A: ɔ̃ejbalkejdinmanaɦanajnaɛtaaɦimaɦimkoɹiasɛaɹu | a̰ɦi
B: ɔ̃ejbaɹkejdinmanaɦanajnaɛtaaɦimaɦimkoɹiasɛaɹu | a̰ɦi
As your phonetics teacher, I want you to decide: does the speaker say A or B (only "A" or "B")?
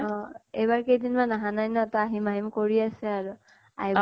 B